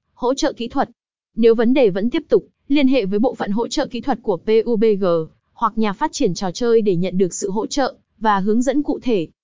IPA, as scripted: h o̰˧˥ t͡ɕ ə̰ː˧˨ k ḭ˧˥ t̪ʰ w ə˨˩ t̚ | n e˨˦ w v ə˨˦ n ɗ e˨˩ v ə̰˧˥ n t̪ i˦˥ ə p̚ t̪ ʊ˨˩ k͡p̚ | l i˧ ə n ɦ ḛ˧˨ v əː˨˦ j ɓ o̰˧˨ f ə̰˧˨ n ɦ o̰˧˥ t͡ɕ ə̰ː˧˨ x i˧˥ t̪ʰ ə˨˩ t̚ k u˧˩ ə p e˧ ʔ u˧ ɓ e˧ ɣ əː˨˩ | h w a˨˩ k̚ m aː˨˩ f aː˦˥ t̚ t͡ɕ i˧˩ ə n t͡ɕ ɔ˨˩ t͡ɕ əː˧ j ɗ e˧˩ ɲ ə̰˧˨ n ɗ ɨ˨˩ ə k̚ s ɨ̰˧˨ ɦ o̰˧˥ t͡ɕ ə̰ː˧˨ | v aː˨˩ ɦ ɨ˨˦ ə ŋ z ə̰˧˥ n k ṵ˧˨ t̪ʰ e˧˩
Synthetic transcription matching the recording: h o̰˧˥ t͡ɕ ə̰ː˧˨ k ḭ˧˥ t̪ʰ w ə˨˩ t̚ | n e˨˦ w v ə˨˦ n ɗ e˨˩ v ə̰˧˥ n t̪ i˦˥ ə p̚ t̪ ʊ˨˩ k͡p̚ | l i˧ ə n ɦ ḛ˧˨ v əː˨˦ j ɓ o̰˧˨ f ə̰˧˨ n ɦ o̰˧˥ t͡ɕ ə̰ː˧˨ k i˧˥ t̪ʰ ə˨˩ t̚ k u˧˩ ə p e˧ ʔ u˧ ɓ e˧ ɣ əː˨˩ | h w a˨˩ k̚ ɲ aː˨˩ f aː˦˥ t̚ t͡ɕ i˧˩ ə n t͡ɕ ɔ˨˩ t͡ɕ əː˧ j ɗ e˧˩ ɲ ə̰˧˨ n ɗ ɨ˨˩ ə k̚ s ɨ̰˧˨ ɦ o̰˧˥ t͡ɕ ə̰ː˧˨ | v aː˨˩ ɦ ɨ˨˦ ə ŋ z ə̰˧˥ n k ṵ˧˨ t̪ʰ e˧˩